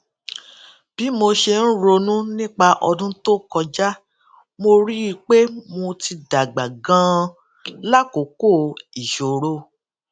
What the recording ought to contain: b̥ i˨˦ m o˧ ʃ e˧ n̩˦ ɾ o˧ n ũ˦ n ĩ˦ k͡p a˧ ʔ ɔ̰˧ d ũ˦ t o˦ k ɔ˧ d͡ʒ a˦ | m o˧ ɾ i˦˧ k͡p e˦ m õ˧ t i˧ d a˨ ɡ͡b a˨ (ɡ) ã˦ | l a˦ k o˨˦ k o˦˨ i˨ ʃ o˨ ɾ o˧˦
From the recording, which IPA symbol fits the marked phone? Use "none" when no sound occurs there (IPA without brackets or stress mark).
ɡ